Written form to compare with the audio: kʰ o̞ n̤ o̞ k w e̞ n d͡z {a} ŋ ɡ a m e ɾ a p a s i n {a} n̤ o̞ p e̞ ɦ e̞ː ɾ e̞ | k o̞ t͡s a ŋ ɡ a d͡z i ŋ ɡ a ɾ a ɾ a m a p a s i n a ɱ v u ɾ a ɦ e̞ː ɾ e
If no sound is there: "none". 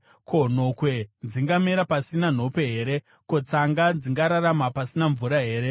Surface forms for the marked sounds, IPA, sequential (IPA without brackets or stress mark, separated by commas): i, a